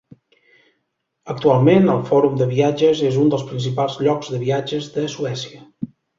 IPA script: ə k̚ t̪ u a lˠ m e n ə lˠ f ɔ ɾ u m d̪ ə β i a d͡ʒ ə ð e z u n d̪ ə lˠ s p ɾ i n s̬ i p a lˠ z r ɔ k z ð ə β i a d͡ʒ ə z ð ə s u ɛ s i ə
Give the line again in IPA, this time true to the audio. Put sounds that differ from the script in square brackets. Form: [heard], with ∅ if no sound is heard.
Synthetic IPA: ə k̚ t̪ u a lˠ m e n ə lˠ f ɔ ɾ u m d̪ ə β i a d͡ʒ ə [z] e z u n d̪ ə lˠ s p ɾ i n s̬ i p a lˠ z [ʎ] ɔ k z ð ə β i a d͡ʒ ə z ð ə s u ɛ s i ə